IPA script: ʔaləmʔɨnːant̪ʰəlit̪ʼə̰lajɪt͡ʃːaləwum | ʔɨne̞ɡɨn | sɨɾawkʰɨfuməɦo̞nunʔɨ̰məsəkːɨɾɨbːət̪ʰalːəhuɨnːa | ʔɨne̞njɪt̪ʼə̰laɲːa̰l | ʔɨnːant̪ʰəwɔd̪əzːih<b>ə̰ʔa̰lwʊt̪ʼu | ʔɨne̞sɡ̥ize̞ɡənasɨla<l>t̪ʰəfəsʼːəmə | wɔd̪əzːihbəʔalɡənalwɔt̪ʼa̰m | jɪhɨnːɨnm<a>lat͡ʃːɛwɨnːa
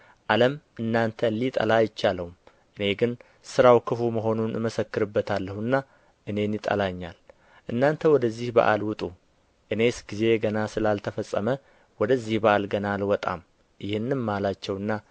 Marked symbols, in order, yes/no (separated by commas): yes, yes, yes